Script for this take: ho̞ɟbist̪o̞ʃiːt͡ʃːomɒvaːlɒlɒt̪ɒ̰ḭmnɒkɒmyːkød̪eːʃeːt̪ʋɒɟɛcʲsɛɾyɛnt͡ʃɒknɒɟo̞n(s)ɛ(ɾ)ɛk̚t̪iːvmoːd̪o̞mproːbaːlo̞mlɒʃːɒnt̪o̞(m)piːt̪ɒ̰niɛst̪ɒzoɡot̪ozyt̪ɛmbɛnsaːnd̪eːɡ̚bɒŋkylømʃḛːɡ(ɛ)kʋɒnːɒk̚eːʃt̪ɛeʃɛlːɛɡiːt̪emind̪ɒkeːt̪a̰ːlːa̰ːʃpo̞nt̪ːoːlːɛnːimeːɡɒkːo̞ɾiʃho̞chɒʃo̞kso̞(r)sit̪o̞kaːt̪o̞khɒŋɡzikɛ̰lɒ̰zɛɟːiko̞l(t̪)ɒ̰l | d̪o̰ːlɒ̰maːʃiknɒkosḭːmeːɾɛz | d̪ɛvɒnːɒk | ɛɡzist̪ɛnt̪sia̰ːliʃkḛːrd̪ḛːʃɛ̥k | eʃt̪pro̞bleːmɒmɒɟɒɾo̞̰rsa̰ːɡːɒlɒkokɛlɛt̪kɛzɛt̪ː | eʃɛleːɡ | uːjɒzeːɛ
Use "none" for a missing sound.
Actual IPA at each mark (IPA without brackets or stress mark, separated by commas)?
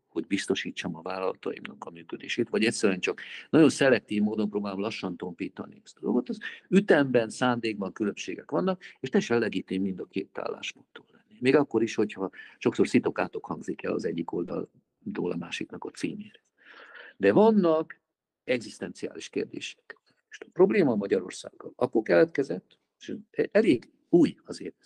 s, l, m, ɛ, r, d̪